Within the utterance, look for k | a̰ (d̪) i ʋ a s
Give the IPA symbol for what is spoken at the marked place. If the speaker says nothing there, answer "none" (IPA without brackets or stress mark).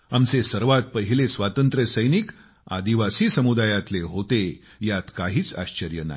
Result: d̪